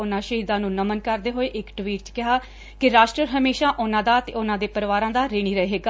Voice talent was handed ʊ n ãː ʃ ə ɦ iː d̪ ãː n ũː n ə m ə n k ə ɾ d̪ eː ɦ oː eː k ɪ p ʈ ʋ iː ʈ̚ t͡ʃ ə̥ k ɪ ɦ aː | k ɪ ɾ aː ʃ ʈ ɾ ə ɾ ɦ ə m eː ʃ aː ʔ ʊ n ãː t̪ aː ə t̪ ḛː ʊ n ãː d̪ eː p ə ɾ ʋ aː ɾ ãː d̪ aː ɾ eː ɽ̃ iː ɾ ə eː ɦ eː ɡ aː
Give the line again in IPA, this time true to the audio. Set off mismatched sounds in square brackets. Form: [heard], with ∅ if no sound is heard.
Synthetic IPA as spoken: ʊ n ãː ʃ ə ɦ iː d̪ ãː n ũː n ə m ə n k ə ɾ d̪ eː ɦ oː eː [ʔ] ɪ [k] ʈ ʋ iː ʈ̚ t͡ʃ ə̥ k ɪ ɦ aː | k ɪ ɾ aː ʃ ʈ ɾ ə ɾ ɦ ə m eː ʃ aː ʔ ʊ n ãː [d̪] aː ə t̪ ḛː ʊ n ãː d̪ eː p ə ɾ ʋ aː ɾ ãː d̪ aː ɾ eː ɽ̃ iː ɾ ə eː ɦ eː ɡ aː